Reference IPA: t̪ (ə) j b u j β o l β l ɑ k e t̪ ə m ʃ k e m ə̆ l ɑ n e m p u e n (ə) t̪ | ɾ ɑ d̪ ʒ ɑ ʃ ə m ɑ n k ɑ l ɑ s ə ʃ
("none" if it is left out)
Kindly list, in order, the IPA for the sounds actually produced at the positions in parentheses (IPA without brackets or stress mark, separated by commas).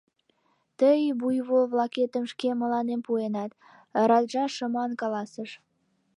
ə, ɑ